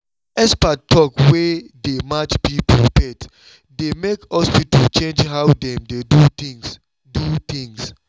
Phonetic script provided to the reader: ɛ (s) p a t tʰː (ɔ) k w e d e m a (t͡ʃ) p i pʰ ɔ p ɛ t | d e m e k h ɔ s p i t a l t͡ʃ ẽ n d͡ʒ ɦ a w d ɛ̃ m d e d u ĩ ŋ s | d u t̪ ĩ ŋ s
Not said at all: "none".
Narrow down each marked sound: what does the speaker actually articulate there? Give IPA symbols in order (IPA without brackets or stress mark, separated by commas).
s, ɔ, t͡ʃ